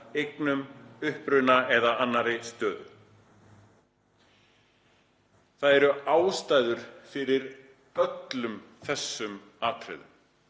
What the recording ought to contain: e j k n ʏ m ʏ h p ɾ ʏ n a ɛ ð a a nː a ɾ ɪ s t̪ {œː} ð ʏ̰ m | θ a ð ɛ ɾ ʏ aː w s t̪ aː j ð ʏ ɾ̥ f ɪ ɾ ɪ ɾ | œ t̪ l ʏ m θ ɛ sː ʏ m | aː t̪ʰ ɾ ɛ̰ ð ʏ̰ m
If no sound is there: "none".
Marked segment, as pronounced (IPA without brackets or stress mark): œː